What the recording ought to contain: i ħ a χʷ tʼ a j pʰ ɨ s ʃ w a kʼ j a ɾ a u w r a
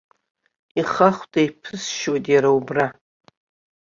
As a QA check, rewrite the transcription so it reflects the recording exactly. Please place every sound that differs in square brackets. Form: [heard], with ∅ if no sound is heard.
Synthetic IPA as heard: i [χ] a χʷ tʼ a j pʰ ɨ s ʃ w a [tʼ] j a ɾ a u [b] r a